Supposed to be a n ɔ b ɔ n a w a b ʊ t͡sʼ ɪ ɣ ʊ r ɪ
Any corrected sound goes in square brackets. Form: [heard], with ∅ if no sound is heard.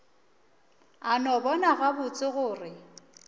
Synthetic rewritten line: a n ɔ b ɔ n a [ɣ] a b ʊ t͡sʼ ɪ ɣ [ʊː] r ɪ